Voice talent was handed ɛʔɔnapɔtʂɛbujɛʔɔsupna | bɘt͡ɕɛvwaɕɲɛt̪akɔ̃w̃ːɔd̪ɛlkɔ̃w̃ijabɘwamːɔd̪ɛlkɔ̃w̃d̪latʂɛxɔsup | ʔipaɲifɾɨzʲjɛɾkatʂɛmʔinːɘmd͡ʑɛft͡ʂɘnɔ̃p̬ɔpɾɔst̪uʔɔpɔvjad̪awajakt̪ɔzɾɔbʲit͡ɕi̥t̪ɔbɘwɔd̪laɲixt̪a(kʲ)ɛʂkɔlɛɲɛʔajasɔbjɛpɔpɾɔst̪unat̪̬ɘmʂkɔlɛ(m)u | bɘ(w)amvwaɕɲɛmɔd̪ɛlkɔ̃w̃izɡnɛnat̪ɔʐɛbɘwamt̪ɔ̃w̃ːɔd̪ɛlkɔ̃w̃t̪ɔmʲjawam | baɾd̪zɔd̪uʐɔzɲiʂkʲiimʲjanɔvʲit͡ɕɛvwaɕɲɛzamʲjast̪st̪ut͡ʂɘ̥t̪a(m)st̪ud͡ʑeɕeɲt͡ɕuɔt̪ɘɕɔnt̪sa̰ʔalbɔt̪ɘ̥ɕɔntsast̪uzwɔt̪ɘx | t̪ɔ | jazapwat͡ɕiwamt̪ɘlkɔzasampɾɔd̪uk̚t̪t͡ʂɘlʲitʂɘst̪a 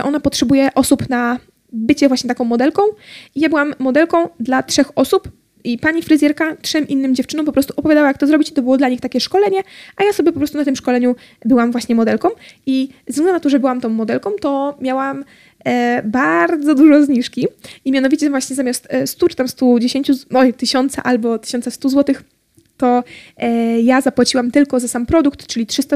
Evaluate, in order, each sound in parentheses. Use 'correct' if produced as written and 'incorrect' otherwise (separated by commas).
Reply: correct, incorrect, correct, correct